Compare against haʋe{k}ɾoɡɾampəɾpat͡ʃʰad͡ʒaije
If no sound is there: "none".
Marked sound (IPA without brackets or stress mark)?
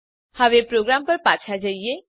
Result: p